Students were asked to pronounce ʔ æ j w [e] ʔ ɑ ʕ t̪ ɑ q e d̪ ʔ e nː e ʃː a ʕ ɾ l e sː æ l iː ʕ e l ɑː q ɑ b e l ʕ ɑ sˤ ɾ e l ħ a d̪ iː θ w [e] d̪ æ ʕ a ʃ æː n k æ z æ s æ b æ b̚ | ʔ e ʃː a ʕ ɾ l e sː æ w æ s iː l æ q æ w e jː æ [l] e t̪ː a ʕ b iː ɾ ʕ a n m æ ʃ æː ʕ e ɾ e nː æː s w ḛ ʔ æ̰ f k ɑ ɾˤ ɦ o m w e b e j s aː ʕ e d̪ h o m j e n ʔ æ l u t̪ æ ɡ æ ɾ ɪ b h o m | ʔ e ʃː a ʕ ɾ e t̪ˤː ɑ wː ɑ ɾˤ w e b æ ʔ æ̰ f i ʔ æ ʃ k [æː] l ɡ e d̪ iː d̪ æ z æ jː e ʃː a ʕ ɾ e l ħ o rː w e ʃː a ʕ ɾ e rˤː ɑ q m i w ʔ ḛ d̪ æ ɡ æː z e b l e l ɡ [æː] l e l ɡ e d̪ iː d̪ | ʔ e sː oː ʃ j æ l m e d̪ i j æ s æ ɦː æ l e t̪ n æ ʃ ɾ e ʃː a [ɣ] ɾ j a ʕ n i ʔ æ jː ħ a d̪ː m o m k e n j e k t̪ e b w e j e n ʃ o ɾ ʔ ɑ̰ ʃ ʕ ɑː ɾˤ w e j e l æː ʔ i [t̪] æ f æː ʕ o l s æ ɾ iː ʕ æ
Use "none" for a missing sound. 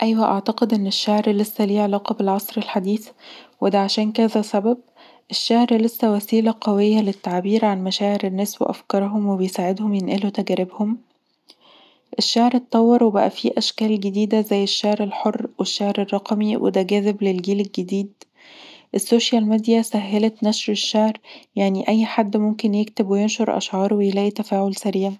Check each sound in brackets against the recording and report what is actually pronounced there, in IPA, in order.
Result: æ, e, l, æː, iː, ʕ, t̪

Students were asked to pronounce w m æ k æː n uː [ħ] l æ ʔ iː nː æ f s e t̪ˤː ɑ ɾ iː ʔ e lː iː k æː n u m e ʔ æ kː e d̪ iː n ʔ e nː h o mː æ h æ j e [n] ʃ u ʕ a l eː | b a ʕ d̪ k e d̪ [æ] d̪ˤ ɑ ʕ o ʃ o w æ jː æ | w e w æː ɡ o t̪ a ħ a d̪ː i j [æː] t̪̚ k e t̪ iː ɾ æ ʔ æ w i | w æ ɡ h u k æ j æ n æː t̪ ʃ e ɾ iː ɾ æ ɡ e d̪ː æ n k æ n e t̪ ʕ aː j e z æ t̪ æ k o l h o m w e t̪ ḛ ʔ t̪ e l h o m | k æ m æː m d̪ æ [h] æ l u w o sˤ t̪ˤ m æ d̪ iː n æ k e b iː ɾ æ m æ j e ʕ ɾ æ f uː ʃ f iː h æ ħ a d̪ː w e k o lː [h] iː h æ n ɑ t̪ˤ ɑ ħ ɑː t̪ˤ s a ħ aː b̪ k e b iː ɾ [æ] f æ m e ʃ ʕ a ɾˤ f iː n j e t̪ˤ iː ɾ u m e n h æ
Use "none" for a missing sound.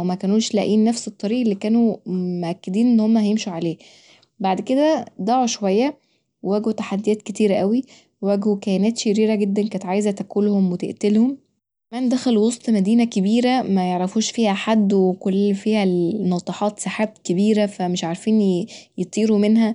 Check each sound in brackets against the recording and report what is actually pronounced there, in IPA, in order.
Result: ʃ, m, æ, æː, x, f, æ

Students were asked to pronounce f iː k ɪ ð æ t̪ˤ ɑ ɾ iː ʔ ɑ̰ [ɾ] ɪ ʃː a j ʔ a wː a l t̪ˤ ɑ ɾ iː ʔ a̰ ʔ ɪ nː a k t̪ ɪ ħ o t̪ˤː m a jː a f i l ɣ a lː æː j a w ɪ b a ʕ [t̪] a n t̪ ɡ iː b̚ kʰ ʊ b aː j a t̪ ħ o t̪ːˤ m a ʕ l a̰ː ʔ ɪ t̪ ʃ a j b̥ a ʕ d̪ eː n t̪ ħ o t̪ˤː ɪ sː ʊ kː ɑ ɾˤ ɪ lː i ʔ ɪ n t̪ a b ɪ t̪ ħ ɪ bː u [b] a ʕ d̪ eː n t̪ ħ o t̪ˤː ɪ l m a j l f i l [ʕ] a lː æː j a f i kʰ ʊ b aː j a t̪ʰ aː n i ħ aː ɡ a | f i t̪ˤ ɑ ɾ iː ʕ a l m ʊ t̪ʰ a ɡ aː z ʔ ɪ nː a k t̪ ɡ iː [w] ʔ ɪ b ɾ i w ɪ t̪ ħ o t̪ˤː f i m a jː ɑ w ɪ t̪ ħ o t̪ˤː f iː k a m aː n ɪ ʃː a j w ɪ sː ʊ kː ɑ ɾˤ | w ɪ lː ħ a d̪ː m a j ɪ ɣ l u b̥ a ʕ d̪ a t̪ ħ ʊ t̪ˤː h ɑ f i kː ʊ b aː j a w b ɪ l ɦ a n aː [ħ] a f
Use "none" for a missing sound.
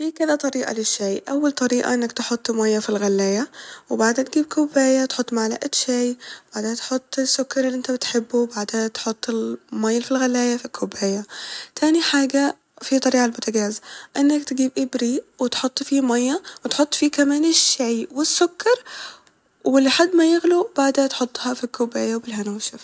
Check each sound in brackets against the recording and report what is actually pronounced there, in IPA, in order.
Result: l, d̪, b, ɣ, b, ʃ

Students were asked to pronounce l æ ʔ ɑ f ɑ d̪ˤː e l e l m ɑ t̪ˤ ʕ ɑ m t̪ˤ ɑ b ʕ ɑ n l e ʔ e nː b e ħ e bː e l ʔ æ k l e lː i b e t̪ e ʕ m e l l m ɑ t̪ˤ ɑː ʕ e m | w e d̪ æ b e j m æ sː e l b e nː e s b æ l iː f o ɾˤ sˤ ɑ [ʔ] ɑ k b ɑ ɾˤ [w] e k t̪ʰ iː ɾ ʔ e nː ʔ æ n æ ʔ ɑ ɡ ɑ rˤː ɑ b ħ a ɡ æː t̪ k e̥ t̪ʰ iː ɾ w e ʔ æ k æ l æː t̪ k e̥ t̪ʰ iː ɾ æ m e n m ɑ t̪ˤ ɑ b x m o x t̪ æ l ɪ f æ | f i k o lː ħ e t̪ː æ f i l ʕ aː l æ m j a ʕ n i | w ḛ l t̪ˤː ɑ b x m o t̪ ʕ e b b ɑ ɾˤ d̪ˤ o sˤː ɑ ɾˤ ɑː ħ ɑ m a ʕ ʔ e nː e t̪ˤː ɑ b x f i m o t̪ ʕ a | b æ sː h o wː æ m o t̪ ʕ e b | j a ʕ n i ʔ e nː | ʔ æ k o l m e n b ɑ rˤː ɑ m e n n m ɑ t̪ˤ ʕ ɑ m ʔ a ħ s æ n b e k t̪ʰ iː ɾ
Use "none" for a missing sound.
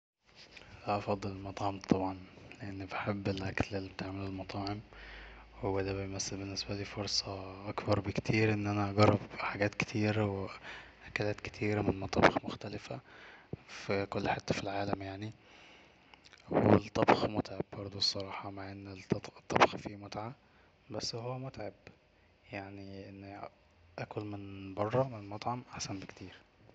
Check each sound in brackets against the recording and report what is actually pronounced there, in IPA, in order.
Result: ʔ, b

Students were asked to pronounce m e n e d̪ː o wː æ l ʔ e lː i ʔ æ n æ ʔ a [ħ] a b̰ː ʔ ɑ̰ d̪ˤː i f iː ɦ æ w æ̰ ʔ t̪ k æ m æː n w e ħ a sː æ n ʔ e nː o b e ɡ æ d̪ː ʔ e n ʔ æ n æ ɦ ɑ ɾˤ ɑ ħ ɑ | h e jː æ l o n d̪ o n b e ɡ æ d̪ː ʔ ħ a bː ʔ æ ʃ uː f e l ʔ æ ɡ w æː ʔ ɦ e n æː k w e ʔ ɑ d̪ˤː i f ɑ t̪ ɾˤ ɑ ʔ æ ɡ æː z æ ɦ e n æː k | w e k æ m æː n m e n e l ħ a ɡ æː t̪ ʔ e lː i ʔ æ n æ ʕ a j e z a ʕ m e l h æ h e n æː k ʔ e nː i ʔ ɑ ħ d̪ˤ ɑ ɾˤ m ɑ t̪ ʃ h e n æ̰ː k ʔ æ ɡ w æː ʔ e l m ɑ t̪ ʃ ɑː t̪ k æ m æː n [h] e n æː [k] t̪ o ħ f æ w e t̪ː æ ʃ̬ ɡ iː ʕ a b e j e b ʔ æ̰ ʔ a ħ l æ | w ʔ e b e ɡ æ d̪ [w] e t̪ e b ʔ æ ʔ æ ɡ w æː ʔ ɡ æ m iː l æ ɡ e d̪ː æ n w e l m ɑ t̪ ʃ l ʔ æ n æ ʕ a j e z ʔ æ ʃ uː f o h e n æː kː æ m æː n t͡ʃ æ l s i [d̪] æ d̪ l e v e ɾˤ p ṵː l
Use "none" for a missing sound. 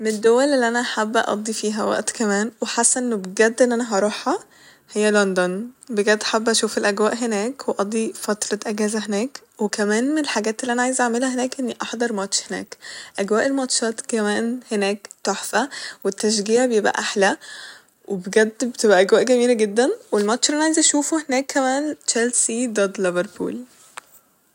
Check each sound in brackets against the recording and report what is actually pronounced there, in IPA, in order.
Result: ħ, h, k, b, d̪

